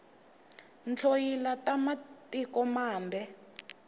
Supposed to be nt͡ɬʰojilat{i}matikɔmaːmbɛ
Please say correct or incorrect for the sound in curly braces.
incorrect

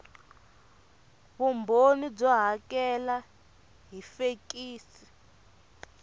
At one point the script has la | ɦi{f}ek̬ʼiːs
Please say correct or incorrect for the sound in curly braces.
correct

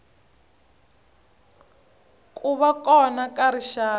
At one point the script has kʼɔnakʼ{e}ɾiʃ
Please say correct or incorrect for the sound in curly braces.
incorrect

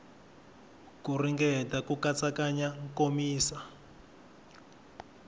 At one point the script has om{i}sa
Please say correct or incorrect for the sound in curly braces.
incorrect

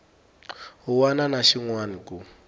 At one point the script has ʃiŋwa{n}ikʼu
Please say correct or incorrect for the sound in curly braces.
correct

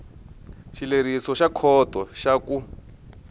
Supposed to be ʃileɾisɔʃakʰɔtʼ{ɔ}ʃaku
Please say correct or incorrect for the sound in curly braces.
correct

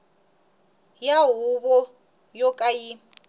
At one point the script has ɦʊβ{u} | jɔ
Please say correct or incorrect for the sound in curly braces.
incorrect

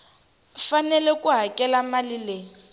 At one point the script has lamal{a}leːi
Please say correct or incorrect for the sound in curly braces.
incorrect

